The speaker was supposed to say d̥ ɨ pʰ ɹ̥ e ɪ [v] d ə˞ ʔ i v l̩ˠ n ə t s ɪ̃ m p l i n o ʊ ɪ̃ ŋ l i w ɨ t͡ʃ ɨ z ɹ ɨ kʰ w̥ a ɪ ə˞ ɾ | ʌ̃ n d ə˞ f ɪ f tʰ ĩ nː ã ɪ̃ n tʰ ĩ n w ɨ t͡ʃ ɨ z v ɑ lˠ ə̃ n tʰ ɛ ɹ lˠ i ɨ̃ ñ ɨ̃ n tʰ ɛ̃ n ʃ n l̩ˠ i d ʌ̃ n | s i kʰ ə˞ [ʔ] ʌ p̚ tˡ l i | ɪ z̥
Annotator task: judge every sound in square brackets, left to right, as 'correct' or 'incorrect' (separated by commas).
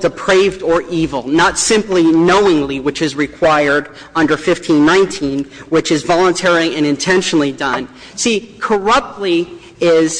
correct, incorrect